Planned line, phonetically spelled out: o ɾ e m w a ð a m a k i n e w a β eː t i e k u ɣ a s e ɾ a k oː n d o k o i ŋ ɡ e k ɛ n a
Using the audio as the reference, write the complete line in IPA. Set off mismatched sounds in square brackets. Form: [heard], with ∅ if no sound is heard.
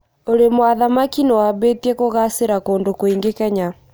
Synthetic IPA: o ɾ e m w a ð a m a k i n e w a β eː t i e k [o] ɣ a s e ɾ a k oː n d o k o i ŋ ɡ e k ɛ [ɲ] a